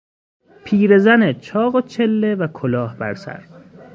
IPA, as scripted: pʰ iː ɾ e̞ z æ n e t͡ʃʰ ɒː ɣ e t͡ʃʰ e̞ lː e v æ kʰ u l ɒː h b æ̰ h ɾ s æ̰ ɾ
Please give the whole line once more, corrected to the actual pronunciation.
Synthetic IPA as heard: pʰ iː ɾ e̞ z æ n e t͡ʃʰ ɒː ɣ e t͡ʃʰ e̞ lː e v æ kʰ o l ɒː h b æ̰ ɾ s æ̰ ɾ